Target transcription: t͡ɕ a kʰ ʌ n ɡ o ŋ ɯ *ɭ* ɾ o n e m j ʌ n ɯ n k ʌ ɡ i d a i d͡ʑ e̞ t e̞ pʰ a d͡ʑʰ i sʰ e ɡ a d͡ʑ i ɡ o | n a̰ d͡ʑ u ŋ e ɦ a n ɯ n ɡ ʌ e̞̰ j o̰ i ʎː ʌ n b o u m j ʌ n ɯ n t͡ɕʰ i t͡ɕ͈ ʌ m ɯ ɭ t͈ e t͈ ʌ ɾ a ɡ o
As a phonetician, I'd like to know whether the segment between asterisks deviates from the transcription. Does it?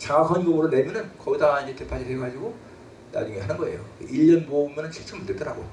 yes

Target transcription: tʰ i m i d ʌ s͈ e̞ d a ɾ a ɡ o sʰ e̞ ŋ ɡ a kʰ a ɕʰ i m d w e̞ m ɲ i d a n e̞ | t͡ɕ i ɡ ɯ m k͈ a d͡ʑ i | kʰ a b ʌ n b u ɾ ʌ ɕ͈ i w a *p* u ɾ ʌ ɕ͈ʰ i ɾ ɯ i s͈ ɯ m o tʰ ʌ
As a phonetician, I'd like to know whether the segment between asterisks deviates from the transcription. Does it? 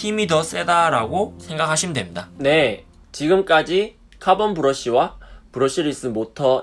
no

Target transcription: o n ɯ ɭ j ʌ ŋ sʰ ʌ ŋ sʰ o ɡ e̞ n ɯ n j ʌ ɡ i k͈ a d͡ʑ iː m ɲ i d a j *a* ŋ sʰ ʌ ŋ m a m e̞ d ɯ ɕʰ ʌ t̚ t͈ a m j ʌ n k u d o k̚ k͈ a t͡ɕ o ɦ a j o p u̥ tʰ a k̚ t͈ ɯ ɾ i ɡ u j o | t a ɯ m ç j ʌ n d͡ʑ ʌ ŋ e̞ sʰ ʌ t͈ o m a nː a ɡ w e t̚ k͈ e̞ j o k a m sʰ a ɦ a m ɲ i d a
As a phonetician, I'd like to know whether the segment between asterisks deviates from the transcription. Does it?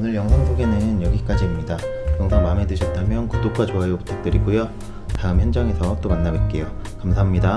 yes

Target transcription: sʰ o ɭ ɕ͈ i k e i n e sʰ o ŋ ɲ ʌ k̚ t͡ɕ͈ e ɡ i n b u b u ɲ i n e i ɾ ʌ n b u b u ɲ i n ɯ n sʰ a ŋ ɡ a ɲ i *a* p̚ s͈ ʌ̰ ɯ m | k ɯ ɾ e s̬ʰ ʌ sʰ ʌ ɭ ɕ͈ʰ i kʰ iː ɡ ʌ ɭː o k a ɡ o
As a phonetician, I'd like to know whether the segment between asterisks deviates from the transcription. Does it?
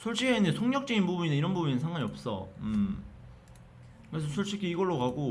yes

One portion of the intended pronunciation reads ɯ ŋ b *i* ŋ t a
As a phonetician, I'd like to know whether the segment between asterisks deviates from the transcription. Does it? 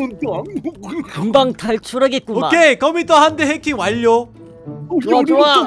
yes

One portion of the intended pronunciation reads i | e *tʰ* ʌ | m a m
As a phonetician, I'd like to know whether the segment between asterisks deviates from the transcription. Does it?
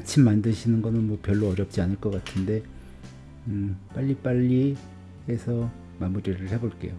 yes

